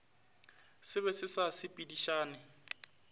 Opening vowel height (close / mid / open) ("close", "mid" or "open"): close